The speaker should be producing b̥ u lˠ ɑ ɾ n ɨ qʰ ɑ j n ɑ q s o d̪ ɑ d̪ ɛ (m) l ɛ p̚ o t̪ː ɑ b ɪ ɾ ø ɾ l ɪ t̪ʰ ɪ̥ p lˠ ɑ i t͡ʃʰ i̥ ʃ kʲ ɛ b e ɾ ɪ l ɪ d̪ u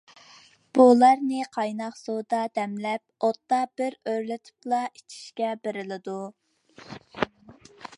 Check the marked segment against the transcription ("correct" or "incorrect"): correct